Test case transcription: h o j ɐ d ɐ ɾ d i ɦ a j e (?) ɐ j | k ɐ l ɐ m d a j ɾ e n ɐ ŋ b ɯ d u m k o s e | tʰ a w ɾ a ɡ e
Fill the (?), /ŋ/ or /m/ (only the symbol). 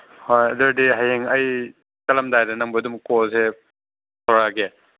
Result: ŋ